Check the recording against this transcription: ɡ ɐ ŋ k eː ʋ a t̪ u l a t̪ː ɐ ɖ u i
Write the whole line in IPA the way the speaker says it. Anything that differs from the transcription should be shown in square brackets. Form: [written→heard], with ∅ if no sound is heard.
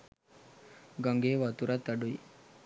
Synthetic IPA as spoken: ɡ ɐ ŋ [k→ɡ] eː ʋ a t̪ u [l→ɾ] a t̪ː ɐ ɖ u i